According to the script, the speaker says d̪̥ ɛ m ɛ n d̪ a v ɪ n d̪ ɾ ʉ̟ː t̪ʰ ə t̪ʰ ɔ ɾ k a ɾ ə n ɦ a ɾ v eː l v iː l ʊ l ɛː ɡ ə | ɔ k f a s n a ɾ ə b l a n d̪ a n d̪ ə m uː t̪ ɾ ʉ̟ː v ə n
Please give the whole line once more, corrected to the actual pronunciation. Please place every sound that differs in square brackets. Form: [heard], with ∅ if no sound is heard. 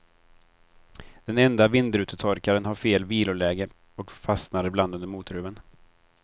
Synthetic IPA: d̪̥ ɛ [n] ɛ n d̪ a v ɪ n d̪ ɾ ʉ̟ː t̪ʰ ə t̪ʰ ɔ ɾ k a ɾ ə n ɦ a ɾ [f] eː l v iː l ʊ l ɛː ɡ ə | ɔ k f a s n a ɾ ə b l a n d̪ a n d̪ ə m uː t̪ ɾ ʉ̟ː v ə n